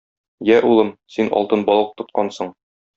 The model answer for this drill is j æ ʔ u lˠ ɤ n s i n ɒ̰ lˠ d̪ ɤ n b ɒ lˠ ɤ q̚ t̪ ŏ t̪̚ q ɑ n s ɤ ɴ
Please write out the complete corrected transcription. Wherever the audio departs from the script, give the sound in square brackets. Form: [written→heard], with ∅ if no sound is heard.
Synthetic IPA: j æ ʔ u lˠ ɤ [n→m] s i n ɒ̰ lˠ [d̪→t̪] ɤ n b ɒ lˠ ɤ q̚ t̪ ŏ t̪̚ q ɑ n s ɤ ɴ